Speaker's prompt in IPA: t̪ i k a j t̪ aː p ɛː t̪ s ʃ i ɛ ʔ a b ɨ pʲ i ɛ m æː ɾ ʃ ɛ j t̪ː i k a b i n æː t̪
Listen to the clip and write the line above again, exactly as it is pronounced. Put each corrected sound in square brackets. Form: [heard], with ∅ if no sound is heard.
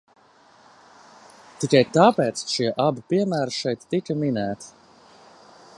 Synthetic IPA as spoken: t̪ i k a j t̪ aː p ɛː t̪ s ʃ i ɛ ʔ a b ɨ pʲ i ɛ m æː ɾ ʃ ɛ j t̪ː i k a [m] i n æː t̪